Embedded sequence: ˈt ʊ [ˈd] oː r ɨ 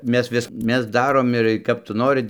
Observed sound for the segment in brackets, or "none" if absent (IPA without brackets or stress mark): n